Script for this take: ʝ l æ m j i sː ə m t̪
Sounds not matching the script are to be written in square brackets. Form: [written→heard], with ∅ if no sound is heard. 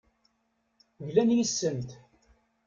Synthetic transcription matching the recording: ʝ l æ [m→n] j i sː ə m t̪